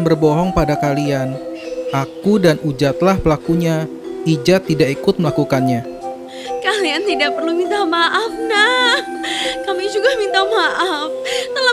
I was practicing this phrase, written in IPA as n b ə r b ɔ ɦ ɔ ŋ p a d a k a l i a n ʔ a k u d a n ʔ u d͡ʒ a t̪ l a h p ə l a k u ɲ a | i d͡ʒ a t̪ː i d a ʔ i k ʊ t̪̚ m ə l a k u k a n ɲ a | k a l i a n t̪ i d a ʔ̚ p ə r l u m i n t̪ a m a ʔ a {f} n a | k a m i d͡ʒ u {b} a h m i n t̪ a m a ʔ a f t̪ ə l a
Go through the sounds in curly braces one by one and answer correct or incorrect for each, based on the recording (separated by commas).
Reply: correct, incorrect